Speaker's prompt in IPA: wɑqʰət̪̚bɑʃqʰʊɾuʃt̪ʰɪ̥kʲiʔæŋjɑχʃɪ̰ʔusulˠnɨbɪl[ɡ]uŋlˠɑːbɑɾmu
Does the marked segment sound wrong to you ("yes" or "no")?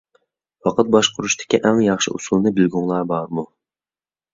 no